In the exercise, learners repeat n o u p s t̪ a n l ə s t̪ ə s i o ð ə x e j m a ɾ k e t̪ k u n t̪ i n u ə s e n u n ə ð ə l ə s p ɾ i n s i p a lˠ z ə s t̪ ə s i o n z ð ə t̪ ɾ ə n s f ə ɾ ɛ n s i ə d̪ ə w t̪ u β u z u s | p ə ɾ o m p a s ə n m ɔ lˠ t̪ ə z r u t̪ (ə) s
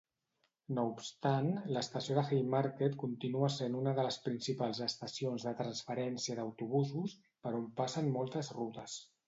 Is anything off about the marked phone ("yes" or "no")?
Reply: no